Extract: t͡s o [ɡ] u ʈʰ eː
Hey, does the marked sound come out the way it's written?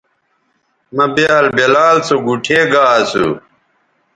yes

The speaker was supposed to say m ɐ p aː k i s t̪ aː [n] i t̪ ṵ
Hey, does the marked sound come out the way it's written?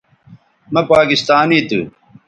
yes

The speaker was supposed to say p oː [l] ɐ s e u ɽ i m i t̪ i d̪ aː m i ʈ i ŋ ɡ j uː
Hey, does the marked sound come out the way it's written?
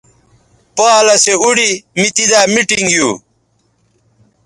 yes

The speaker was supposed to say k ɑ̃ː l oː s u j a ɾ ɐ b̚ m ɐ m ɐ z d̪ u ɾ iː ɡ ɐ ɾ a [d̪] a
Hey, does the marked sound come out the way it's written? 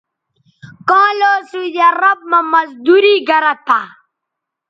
no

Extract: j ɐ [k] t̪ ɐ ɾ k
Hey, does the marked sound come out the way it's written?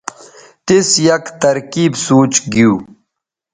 yes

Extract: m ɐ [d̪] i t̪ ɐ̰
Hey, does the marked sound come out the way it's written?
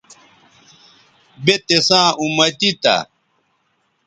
no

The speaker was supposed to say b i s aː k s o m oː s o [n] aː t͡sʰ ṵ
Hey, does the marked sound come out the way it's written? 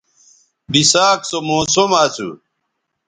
no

